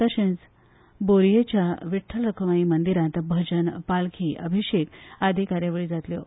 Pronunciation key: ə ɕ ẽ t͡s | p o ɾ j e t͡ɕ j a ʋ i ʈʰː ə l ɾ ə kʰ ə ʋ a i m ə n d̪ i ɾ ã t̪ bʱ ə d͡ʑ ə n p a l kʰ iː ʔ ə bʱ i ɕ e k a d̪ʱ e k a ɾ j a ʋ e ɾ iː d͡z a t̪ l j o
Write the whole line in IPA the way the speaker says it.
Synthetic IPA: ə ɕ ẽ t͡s | b o ɾ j e t͡ɕ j a ʋ i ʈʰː ə l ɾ ə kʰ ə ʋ a i m ə n d̪ i ɾ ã t̪ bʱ ə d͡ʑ ə n p a l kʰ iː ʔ ə bʱ i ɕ e k a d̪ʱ i k a ɾ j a ʋ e ɭ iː d͡z a t̪ l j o